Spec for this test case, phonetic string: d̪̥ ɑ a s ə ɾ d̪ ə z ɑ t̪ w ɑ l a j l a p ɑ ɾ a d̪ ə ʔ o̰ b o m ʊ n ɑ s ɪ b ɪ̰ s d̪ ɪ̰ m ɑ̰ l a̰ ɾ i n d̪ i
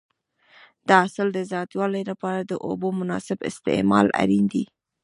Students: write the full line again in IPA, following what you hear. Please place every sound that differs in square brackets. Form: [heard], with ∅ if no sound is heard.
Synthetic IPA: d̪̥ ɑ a s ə [l] d̪ ə z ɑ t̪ w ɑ l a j l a p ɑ ɾ a d̪ ə ʔ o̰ b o m ʊ n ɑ s ɪ b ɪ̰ s [t̪] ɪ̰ m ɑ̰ l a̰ ɾ i n d̪ i